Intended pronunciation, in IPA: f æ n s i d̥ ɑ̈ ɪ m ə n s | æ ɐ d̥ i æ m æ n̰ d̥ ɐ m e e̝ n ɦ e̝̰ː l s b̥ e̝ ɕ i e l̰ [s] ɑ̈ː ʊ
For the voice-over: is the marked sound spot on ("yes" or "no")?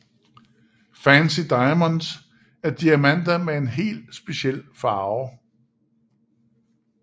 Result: no